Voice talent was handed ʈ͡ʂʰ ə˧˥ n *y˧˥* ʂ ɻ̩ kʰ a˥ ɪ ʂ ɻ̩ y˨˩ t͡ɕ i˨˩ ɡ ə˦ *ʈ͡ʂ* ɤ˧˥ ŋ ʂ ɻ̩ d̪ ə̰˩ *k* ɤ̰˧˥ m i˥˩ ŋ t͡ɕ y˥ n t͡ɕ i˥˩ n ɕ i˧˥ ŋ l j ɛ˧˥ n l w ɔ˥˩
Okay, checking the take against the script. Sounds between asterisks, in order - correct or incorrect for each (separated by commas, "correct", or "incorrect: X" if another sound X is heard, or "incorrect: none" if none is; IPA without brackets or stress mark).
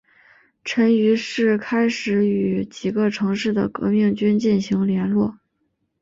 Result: correct, incorrect: ʈ͡ʂʰ, correct